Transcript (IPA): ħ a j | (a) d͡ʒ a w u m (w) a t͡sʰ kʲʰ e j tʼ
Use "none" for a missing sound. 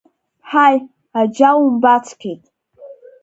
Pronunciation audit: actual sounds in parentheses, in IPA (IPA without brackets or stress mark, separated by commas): a, b